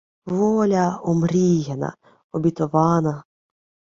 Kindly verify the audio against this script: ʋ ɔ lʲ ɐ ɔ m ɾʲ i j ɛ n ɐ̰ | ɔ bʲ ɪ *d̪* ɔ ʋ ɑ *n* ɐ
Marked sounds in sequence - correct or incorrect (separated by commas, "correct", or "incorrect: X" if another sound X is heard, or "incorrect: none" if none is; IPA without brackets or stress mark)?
incorrect: t̪, correct